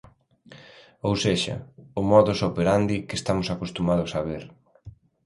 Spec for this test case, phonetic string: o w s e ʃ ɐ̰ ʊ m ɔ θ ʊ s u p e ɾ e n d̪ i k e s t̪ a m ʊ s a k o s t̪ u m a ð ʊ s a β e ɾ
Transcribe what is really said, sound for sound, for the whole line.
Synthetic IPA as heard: o w s e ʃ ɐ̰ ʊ m ɔ ð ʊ s o p e ɾ a n d̪ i k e s t̪ a m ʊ s a k o s t̪ u m a ð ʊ s a β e ɾ